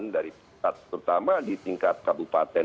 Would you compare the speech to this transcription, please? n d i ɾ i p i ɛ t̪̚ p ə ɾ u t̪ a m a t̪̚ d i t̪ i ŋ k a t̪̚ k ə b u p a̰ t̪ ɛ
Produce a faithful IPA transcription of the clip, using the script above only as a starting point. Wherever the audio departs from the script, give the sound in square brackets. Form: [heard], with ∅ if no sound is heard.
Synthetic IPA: n d [a] ɾ i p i [a] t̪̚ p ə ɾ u t̪ a m a [∅] d i t̪ i ŋ k a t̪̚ k [a] b u p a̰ t̪ ɛ